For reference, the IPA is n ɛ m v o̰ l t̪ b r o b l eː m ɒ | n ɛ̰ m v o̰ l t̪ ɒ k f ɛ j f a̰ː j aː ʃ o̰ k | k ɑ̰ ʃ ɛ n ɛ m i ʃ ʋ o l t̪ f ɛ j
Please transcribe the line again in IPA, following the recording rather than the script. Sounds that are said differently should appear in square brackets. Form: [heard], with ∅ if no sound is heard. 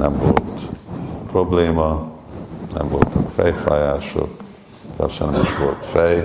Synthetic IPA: n ɛ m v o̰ l t̪ [p] r o b l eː m ɒ | n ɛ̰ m v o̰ l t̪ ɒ k f ɛ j f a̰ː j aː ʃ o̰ k | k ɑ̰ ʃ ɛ n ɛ m i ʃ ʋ o l t̪ f ɛ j